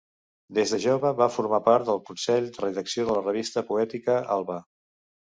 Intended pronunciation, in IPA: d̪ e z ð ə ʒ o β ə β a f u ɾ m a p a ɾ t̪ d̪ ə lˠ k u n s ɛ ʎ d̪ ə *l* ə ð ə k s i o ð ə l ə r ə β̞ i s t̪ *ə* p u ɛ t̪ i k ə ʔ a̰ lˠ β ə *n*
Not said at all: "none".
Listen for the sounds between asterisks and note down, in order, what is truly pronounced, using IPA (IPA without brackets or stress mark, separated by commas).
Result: r, ə, none